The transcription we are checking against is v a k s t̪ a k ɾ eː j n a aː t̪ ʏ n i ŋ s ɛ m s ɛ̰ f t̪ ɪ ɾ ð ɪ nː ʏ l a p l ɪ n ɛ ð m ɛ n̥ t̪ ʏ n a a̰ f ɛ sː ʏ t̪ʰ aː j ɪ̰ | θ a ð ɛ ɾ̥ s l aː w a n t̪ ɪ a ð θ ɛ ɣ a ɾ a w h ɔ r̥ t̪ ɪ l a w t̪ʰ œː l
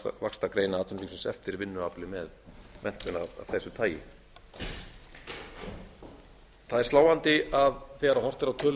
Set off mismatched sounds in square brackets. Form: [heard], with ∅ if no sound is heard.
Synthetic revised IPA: v a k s t̪ a k ɾ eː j n a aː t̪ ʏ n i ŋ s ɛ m s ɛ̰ f t̪ ɪ ɾ [v] ɪ nː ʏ [∅] a p l ɪ [m] ɛ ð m ɛ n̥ t̪ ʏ n a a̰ [θ] ɛ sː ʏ t̪ʰ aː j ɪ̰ | θ a ð ɛ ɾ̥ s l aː w a n t̪ ɪ a ð θ ɛ ɣ a ɾ a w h ɔ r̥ t̪ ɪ [ɾ] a w t̪ʰ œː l